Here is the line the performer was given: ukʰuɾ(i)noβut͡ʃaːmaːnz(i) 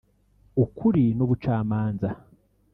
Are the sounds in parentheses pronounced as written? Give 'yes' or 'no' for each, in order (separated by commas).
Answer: yes, no